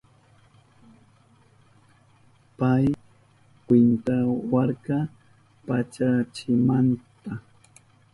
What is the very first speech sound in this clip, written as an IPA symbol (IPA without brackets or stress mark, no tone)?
p